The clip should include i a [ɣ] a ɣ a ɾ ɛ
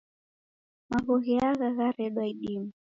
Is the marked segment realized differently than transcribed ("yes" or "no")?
no